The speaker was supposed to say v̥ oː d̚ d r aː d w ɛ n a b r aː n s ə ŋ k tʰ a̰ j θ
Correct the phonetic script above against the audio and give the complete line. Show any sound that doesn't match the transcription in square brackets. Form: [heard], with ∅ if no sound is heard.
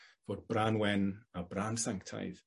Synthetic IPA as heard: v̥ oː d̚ [b] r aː [n] w ɛ n a b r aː n s [a] ŋ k tʰ a̰ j [ð]